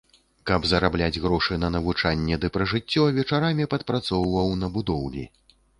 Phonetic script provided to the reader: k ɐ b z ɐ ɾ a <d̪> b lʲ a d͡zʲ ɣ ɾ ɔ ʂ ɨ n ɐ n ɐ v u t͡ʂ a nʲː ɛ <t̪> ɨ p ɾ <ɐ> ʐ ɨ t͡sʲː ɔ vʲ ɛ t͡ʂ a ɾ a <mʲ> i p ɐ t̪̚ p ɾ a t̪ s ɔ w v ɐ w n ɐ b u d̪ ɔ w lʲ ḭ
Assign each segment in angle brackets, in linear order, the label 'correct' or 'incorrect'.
incorrect, incorrect, correct, correct

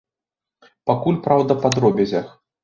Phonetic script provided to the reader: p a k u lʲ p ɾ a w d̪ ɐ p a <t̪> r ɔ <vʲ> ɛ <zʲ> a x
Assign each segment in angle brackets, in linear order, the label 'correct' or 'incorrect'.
incorrect, incorrect, correct

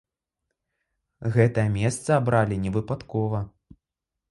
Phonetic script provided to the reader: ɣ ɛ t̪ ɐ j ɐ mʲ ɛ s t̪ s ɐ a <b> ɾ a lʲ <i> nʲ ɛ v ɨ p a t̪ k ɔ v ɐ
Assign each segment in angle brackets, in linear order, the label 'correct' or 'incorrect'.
correct, correct

